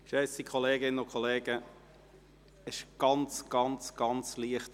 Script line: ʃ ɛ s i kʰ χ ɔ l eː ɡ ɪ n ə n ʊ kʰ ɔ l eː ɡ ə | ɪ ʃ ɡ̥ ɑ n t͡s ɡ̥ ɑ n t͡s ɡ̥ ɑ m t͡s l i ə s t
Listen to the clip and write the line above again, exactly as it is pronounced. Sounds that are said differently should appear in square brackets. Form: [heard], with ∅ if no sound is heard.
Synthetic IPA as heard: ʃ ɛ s i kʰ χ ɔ l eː ɡ ɪ n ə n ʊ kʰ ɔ l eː ɡ ə | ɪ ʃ ɡ̥ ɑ n t͡s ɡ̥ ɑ n t͡s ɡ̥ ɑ [n] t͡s l i ə [χ] t